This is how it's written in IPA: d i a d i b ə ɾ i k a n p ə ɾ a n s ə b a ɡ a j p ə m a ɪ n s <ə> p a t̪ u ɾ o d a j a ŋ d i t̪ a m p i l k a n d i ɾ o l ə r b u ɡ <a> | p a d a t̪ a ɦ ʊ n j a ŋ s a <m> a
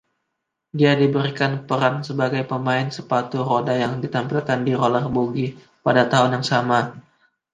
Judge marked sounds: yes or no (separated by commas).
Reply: yes, no, yes